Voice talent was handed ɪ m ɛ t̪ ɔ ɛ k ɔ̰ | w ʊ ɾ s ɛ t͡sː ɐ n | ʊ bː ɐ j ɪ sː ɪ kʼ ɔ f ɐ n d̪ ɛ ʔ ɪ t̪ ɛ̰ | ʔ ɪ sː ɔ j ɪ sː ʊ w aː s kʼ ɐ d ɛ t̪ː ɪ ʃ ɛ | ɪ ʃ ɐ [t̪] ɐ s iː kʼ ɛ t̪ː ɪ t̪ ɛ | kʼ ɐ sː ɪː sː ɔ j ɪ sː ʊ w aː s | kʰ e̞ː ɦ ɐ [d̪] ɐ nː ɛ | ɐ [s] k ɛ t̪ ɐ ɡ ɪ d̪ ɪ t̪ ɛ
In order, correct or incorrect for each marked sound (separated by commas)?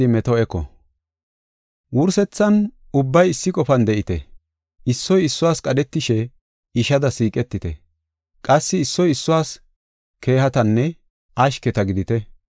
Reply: incorrect, incorrect, incorrect